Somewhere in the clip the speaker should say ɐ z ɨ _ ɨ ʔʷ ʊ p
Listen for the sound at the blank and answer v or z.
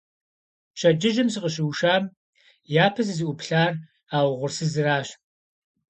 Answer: z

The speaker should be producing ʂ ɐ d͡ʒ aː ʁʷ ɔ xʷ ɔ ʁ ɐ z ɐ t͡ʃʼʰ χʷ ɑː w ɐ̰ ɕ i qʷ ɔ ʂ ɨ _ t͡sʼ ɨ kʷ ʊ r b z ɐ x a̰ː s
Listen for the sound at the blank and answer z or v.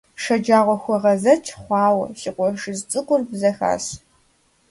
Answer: z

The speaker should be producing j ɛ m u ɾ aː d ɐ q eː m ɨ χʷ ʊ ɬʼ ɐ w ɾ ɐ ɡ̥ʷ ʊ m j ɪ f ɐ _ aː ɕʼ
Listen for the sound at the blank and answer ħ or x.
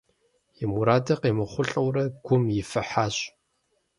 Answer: ħ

